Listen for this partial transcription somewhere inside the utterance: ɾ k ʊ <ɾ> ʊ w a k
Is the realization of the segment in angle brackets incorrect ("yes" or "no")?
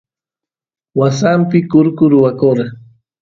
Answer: no